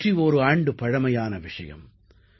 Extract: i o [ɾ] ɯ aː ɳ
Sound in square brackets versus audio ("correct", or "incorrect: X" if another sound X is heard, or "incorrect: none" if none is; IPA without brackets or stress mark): correct